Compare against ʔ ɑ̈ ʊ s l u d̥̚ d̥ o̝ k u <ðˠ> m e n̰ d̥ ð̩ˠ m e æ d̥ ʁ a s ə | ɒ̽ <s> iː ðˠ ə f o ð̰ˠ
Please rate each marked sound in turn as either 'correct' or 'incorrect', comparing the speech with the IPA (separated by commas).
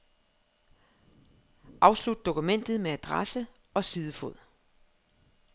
incorrect, correct